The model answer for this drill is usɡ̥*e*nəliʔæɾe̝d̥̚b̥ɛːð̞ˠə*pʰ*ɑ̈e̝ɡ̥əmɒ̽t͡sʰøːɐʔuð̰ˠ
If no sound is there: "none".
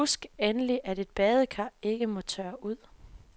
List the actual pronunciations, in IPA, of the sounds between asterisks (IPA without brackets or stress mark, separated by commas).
e, kʰ